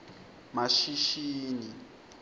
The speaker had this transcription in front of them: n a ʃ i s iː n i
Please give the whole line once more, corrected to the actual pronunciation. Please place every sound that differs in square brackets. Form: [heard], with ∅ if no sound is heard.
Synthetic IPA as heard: [m] a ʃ i [ʃ] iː n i